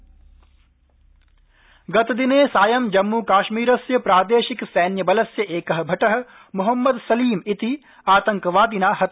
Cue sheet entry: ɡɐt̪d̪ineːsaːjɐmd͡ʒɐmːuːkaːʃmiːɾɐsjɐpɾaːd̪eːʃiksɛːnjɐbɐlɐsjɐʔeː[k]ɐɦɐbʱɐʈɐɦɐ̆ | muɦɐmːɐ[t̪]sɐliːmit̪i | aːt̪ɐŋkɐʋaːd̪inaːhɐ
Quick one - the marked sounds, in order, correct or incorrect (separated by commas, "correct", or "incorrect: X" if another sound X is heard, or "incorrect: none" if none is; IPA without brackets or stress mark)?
correct, incorrect: d̪